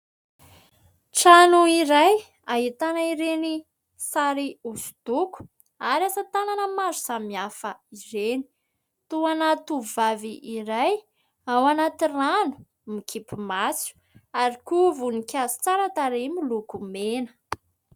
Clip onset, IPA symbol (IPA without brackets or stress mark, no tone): ʈ͡ʂ